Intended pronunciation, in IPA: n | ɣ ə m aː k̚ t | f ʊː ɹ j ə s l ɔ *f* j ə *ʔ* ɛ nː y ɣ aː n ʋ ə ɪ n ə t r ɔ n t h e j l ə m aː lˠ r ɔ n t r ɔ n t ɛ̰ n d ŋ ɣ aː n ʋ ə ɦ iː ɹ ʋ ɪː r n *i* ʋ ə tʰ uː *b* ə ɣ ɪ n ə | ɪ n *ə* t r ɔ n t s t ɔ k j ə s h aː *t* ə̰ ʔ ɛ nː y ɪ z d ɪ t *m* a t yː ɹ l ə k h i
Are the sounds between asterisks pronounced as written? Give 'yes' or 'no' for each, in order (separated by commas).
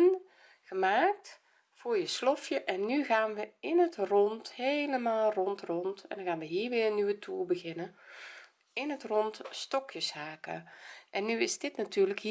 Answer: yes, yes, no, yes, yes, no, no